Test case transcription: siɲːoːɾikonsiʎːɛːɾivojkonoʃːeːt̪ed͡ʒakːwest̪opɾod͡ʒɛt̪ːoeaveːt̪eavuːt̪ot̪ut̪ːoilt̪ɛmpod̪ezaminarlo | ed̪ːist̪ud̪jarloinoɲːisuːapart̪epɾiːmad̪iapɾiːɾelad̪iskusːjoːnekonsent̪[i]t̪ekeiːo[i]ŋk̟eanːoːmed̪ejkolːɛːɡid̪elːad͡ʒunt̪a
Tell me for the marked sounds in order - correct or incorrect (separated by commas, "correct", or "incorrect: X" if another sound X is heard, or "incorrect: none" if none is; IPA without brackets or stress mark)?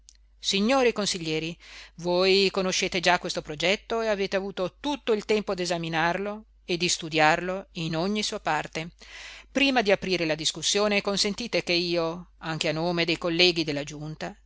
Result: incorrect: iː, incorrect: a